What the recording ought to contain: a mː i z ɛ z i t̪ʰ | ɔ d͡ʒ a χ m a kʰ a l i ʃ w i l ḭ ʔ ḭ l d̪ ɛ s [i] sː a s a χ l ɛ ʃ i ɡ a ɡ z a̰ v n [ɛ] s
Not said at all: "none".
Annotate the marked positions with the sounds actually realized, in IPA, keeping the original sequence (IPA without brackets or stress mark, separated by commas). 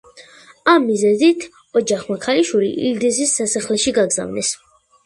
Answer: i, ɛ